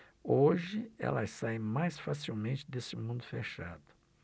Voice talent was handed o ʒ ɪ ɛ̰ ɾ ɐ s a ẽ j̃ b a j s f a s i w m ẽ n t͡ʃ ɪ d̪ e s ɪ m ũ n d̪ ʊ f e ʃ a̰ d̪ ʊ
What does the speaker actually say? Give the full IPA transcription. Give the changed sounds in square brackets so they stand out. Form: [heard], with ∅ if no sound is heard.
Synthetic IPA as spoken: o ʒ ɪ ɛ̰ [l] ɐ s a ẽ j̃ [m] a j s f a s i w m ẽ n t͡ʃ ɪ d̪ e s ɪ m ũ n d̪ ʊ f e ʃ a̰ d̪ ʊ